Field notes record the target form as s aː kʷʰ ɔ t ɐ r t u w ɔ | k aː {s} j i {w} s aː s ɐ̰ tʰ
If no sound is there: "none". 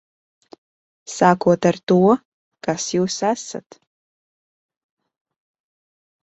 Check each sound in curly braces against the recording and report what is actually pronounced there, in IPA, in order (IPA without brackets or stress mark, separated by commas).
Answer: s, w